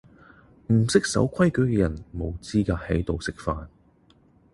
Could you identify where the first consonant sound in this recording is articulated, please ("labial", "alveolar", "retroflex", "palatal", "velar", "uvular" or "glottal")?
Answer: labial